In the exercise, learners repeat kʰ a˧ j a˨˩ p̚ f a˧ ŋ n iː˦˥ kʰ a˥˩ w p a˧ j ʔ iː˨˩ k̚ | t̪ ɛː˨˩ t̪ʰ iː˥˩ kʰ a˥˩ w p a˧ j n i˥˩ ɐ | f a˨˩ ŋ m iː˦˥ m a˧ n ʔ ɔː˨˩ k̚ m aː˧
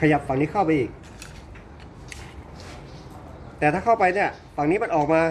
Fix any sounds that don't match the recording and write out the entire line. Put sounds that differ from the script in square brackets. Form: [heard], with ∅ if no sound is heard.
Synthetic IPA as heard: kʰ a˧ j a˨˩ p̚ f [a˨˩] ŋ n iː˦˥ kʰ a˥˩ w p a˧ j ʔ iː˨˩ k̚ | t̪ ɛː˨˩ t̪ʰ [aː˥˩] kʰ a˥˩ w p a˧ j n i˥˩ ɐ | f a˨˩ ŋ [n] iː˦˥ m a˧ n ʔ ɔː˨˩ k̚ m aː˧